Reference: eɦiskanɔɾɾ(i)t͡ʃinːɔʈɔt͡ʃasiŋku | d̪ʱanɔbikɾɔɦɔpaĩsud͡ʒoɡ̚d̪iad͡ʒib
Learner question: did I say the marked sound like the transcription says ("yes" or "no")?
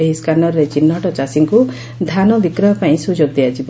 no